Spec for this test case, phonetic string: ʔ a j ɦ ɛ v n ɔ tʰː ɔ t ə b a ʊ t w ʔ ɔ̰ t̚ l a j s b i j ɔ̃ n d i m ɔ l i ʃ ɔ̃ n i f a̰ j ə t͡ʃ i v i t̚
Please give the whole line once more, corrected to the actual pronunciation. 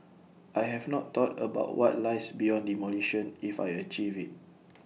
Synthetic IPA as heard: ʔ a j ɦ ɛ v n ɔ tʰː ɔ t ə b a ʊ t w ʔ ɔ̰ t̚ l a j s b i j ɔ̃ n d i m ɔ l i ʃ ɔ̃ n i f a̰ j ə t͡ʃ i v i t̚